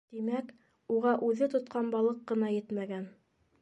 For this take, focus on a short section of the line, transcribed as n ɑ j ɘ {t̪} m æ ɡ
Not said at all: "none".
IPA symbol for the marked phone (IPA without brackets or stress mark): t̪